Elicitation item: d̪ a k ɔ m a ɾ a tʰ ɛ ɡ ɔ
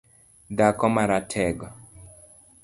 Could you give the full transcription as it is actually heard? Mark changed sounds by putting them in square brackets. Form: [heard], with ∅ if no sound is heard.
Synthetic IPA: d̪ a k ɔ m a ɾ a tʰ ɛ ɡ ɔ